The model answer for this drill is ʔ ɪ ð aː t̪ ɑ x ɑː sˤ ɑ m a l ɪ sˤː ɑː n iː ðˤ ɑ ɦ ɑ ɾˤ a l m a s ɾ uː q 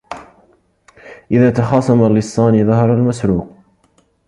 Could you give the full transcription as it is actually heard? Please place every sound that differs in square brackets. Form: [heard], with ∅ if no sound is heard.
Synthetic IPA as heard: ʔ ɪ ð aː t̪ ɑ x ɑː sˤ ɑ m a l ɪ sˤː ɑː n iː ðˤ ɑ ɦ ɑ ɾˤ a l m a s ɾ uː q